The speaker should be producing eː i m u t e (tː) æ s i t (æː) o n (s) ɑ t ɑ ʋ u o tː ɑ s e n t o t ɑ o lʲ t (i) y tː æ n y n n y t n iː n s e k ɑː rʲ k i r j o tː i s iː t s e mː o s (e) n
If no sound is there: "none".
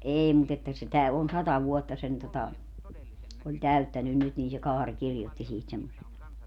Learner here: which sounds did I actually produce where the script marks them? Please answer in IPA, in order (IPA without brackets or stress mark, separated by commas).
tː, æ, s, æ, e